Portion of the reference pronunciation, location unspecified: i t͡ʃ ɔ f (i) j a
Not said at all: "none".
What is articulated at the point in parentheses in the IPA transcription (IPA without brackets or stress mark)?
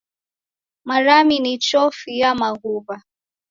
i